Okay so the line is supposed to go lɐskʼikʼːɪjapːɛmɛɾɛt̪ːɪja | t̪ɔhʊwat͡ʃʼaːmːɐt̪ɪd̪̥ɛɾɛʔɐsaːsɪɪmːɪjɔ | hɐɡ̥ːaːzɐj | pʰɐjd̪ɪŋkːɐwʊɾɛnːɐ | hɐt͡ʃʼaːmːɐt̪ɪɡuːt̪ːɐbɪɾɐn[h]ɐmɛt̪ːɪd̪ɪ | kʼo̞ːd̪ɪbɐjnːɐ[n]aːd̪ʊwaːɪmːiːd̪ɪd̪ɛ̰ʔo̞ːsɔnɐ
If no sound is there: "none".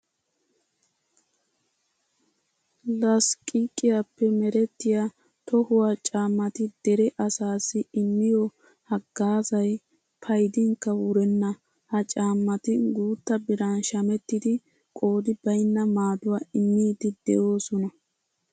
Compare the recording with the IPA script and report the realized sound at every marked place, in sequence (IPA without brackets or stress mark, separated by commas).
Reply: ʃ, m